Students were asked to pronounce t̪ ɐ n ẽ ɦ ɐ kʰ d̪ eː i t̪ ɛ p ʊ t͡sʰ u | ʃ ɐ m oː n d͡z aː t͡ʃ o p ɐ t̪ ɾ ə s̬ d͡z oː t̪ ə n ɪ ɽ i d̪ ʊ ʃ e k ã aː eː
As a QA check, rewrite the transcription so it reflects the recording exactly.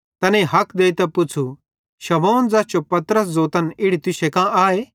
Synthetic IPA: t̪ ɐ n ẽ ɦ ɐ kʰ d̪ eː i t̪ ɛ p ʊ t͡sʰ u | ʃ ɐ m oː n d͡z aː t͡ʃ o p ɐ t̪ ɾ ə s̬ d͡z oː t̪ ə n ɪ ɽ i t̪ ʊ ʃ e k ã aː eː